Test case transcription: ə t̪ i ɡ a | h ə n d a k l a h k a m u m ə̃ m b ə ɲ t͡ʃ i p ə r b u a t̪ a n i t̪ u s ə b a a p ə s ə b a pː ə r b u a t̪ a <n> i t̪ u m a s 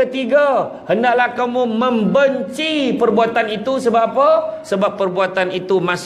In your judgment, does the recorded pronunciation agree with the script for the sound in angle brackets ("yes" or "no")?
yes